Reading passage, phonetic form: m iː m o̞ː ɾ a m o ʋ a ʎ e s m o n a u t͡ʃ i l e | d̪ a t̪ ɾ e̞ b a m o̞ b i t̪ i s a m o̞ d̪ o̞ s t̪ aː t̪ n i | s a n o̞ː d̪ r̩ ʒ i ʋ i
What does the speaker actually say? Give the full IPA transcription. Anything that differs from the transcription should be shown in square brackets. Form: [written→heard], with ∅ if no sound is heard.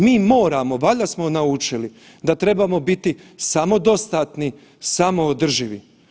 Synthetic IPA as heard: m iː m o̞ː ɾ a m o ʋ a ʎ [e→a] s m o n a u t͡ʃ i l [e→i] | d̪ a t̪ ɾ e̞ b a m o̞ b i t̪ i s a m o̞ d̪ o̞ s t̪ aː t̪ n i | s a [n→m] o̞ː d̪ r̩ ʒ i ʋ i